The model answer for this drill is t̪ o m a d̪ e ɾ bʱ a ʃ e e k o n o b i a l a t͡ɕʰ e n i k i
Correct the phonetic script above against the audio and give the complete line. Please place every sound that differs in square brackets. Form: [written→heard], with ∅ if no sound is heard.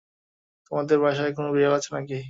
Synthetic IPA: t̪ o m a d̪ e ɾ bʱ a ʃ [e→a] e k o n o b i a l a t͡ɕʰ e n [i→a] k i

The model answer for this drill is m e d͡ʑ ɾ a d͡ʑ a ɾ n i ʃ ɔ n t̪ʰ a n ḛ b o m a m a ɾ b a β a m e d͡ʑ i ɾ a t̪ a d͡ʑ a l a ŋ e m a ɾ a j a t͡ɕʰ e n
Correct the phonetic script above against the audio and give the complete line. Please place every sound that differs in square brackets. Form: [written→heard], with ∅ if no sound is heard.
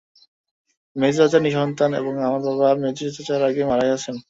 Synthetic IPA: m e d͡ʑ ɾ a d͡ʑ a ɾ n i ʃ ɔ n [t̪ʰ→t̪] a n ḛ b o [m→ŋ] a m a ɾ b a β a m e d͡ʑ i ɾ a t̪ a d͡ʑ a [l→ɾ] a [ŋ→ɡ] e m a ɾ a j a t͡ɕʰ e n

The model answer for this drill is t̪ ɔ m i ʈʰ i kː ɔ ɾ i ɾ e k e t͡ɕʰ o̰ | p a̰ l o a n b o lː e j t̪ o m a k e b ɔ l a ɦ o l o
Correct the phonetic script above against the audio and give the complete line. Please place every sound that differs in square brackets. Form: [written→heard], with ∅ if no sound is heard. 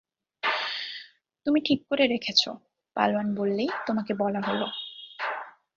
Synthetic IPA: t̪ [ɔ→u] m i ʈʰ i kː [ɔ→o] ɾ [i→e] ɾ e [k→kʰ] e t͡ɕʰ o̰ | p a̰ l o a n b o lː e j t̪ o m a k e b ɔ l a ɦ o l o

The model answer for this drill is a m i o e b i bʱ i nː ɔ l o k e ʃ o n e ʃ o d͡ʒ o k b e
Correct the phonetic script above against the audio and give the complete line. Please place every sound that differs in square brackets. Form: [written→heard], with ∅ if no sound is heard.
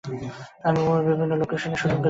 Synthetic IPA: a m i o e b i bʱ i nː [ɔ→o] l o k e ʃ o n e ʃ [o→u] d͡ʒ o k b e

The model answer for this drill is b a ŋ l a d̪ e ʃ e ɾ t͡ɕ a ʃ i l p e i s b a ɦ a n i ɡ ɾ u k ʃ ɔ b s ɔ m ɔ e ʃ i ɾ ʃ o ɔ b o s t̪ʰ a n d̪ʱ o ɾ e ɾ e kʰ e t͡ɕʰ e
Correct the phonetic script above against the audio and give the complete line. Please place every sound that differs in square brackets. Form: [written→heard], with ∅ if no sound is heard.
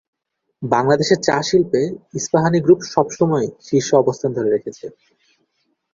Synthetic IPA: b a ŋ l a d̪ e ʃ e ɾ t͡ɕ a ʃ i l p e i s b a ɦ a n i ɡ ɾ u [k→p] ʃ ɔ b [s→ʃ] ɔ m ɔ e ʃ i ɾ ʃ o ɔ b o s t̪ʰ a n d̪ʱ o ɾ e ɾ e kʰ e t͡ɕʰ e

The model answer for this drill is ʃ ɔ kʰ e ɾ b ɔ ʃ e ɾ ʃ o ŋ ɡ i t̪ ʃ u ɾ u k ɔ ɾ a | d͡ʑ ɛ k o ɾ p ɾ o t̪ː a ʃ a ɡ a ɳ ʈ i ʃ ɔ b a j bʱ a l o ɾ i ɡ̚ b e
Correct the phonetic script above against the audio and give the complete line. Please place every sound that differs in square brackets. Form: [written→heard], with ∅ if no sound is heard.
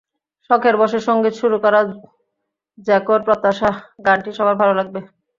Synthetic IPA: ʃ ɔ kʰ e ɾ b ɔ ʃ e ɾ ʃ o ŋ ɡ i t̪ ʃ u ɾ u k ɔ ɾ a | d͡ʑ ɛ k o ɾ p ɾ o t̪ː a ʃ a ɡ a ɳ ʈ i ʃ ɔ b a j bʱ a l o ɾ [i→a] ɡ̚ b e

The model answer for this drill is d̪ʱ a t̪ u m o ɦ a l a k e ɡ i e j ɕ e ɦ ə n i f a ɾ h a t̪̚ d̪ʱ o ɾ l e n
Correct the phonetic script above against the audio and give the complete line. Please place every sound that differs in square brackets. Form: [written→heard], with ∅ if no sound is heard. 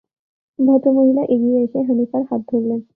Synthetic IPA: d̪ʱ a t̪ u m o ɦ [a→i] l a [k→ʔ] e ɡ i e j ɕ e ɦ ə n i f a ɾ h a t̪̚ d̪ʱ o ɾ l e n

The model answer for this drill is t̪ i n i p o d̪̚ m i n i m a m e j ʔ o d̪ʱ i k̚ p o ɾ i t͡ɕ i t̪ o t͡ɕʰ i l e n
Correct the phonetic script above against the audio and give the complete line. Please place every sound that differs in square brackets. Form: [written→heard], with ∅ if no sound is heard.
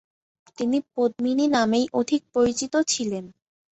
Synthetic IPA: t̪ i n i p o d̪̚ m i n i [m→n] a m e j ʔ o d̪ʱ i k̚ p o ɾ i t͡ɕ i t̪ o t͡ɕʰ i l e n

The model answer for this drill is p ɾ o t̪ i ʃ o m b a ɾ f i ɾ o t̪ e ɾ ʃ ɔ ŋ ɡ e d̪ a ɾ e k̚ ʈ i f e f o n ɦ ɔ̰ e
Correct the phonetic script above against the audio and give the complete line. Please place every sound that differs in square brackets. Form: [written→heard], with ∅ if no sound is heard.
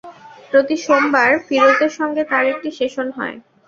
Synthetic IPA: p ɾ o t̪ i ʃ o m b a ɾ f i ɾ o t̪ e ɾ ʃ ɔ ŋ ɡ e [d̪→t̪] a ɾ e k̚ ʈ i [f→ʃ] e [f→ʃ] o n ɦ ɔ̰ e

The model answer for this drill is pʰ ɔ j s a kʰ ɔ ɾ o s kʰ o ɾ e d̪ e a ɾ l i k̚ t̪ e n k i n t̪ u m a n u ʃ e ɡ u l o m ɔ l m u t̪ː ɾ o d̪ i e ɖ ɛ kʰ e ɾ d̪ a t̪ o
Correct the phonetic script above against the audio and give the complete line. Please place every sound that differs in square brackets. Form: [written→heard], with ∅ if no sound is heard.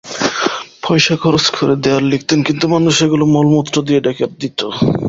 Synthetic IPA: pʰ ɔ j [s→ʃ] a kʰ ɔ ɾ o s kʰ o ɾ e d̪ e a ɾ l i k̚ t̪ e n k i n t̪ u m a n u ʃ e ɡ u l o m ɔ l m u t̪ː ɾ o d̪ i e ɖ ɛ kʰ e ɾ d̪ [a→i] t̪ o

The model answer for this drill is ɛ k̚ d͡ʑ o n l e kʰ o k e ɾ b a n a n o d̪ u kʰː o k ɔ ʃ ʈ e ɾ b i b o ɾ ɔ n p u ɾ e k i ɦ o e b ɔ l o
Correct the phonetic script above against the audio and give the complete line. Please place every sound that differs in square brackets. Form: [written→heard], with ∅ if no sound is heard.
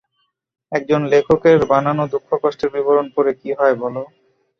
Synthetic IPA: ɛ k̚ d͡ʑ o n l e kʰ o k e ɾ b a n a n o d̪ u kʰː o k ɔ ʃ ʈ e ɾ b i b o ɾ [ɔ→o] n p [u→o] ɾ e k i ɦ [o→ɔ] e b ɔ l o

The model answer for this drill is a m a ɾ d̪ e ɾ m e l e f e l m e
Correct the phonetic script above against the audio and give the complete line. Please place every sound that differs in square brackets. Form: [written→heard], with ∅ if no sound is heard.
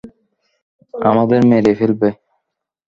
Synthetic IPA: a m a [ɾ→∅] d̪ e ɾ m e [l→ɾ] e f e l [m→b] e

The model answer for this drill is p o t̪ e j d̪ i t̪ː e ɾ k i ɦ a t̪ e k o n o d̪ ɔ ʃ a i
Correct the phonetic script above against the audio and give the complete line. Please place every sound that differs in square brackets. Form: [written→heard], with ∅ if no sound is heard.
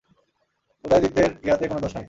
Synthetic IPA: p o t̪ [e→a] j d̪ i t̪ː e ɾ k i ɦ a t̪ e k o n o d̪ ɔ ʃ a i

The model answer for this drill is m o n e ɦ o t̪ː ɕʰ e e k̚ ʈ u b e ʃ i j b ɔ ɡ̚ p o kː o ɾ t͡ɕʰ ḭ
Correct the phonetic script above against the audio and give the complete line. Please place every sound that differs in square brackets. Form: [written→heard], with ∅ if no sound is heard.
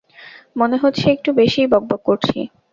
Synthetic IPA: m o n e ɦ o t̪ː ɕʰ e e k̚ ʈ u b e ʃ i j b ɔ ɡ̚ [p→b] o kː o ɾ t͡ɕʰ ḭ

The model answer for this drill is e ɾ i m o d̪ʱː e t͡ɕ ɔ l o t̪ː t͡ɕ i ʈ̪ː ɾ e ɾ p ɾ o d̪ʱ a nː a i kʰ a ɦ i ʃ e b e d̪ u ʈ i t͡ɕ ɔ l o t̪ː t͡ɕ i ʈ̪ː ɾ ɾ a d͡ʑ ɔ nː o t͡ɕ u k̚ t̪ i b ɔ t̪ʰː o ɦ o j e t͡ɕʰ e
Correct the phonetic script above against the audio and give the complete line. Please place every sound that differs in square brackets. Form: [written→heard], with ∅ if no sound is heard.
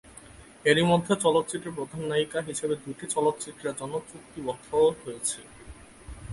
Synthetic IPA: e ɾ i m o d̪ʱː e t͡ɕ ɔ l o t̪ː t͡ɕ i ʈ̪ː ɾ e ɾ p ɾ o d̪ʱ a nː a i [kʰ→k] a ɦ i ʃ e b e d̪ u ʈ i t͡ɕ ɔ l o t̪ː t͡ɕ i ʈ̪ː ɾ ɾ a d͡ʑ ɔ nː o t͡ɕ u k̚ t̪ i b ɔ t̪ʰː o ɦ o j e t͡ɕʰ e

